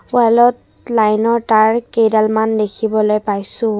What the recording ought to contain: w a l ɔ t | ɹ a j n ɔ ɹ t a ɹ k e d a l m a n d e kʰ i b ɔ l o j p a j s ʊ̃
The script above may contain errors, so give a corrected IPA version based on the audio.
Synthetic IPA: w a l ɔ t | l a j n ɔ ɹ t a ɹ k e d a l m a n d e kʰ i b ɔ l o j p a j s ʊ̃